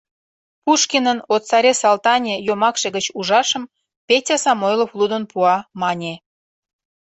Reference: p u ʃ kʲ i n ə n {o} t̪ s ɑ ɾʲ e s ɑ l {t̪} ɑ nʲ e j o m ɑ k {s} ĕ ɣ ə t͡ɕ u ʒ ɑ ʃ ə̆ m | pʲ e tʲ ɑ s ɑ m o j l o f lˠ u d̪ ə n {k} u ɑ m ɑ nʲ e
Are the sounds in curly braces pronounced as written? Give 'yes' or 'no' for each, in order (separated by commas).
yes, yes, no, no